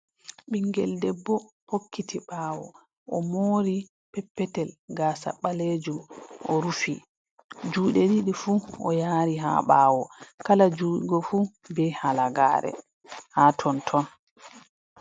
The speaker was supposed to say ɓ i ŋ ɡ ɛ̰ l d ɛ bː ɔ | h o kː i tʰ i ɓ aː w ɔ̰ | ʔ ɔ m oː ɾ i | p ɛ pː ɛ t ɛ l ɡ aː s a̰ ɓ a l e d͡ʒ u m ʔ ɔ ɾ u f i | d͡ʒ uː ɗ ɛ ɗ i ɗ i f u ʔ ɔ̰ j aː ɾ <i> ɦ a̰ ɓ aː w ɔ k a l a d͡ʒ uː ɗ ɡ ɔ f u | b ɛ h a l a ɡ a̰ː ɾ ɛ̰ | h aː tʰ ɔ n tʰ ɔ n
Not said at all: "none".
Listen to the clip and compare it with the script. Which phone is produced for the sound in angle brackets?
i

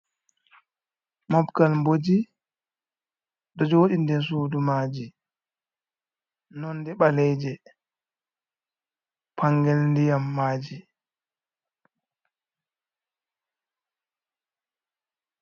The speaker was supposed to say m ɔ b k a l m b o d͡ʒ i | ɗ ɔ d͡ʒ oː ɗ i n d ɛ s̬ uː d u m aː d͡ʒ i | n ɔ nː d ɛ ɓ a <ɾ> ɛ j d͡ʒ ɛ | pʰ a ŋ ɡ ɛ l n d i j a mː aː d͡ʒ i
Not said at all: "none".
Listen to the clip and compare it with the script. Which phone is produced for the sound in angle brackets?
l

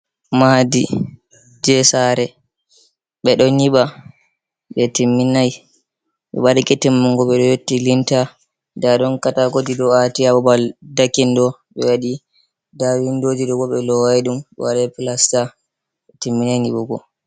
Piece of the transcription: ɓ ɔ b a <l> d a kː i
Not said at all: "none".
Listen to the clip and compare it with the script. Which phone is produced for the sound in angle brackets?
l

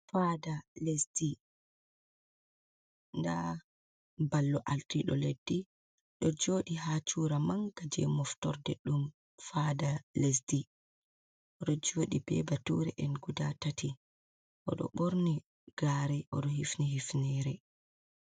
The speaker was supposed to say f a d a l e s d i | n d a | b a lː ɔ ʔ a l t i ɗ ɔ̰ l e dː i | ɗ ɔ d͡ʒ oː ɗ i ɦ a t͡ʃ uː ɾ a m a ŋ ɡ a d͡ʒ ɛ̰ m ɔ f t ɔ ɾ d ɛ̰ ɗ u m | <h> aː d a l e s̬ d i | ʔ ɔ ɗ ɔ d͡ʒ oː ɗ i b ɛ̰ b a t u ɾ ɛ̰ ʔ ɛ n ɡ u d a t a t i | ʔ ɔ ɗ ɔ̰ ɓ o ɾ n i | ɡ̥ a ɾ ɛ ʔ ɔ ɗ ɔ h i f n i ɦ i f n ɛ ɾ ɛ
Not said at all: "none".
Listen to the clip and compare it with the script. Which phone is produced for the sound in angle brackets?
f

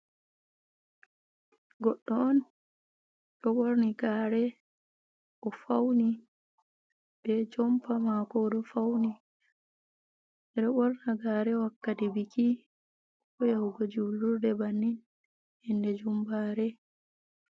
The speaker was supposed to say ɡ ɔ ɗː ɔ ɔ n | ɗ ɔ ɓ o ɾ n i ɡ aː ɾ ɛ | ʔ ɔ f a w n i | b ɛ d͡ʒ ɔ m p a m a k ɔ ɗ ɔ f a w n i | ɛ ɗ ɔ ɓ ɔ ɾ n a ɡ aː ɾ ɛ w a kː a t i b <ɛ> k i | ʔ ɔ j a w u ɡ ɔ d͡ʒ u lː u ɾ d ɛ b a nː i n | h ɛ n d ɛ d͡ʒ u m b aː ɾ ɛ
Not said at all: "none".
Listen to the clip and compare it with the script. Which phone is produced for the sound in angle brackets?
i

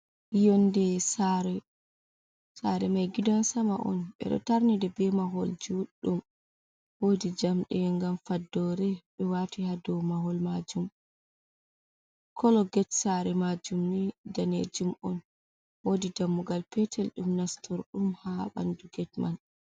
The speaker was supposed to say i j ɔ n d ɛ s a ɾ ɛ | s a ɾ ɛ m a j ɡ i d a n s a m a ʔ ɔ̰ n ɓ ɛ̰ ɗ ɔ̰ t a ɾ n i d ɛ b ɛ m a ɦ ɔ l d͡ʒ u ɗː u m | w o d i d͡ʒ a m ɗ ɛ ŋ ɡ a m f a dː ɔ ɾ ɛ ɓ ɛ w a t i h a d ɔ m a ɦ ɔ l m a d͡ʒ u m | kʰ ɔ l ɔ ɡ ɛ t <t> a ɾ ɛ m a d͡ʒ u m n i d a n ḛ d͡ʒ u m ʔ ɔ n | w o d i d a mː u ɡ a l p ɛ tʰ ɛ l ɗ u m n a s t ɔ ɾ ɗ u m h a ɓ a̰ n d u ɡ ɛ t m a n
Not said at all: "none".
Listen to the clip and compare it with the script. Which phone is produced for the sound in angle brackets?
s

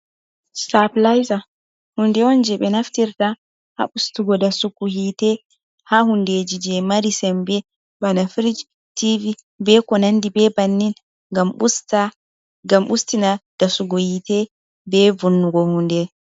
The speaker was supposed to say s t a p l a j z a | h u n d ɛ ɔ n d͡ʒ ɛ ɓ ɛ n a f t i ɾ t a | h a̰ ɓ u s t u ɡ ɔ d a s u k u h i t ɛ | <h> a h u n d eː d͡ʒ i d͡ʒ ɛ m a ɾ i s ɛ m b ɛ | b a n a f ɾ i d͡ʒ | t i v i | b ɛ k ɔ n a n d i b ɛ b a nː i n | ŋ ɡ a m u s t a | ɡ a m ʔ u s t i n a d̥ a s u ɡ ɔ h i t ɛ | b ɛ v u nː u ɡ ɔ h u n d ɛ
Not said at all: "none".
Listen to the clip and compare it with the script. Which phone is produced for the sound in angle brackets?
h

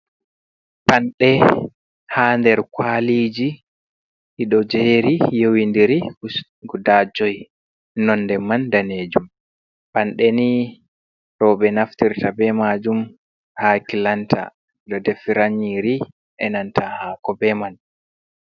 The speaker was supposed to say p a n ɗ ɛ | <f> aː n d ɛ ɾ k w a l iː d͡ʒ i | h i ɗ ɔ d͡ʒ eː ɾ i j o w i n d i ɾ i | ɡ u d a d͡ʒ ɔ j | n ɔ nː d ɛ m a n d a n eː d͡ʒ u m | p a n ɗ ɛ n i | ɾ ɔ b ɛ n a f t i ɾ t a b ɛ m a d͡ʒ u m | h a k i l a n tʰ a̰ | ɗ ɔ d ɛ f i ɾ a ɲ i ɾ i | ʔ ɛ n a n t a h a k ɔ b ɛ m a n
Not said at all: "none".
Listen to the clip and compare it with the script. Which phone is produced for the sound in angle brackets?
h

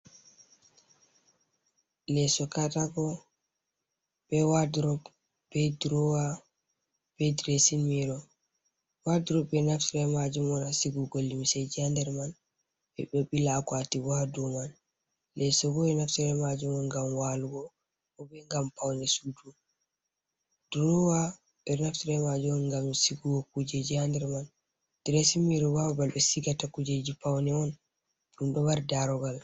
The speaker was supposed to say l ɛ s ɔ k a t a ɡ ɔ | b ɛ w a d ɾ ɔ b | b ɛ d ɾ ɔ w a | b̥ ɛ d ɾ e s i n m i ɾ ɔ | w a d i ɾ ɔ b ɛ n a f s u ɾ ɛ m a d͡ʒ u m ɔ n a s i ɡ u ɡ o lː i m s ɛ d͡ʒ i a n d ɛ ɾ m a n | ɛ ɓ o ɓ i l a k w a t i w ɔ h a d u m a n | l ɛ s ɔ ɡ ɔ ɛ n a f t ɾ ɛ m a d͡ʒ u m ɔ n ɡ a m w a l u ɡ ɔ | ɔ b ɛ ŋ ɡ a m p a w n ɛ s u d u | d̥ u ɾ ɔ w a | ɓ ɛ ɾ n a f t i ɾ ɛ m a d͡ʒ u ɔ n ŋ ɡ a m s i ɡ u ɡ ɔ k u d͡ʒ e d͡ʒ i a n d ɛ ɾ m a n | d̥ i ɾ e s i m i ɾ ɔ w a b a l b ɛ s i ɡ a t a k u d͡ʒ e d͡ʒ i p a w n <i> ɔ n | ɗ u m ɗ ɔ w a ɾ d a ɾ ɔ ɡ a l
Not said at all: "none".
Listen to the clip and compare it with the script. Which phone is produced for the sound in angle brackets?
ɛ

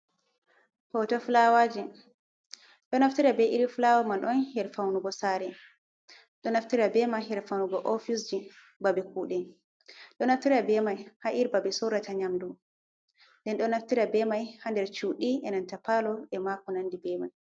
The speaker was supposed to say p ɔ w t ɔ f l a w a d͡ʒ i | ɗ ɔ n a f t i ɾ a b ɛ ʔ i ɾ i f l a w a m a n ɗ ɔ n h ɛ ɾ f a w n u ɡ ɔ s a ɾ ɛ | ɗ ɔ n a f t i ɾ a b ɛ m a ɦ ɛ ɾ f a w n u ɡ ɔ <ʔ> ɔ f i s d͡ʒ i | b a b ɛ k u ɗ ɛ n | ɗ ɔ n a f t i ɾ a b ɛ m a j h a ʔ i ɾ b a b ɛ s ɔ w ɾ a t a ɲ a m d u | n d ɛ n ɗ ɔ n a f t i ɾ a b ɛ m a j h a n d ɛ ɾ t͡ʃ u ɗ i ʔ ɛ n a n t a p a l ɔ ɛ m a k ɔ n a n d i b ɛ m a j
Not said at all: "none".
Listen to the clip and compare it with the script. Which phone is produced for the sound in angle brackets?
ʔ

